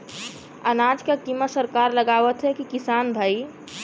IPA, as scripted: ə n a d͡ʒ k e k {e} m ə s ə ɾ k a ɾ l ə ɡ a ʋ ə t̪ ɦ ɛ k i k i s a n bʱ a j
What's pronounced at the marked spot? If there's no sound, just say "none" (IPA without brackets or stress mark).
i